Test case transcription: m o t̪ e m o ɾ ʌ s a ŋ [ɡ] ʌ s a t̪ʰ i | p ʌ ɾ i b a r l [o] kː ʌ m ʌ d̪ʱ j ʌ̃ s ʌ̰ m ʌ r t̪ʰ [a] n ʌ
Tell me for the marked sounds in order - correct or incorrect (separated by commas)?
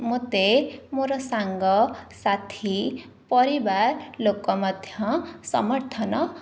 correct, correct, incorrect